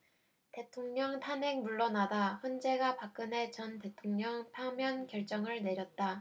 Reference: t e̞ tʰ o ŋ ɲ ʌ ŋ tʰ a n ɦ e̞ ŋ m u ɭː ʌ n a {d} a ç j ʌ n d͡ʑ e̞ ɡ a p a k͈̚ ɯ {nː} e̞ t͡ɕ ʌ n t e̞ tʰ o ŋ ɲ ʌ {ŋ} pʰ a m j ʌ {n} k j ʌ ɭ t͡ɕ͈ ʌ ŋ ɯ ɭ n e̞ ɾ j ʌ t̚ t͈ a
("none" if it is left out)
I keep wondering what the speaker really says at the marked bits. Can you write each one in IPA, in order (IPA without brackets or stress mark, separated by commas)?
d, n, ŋ, n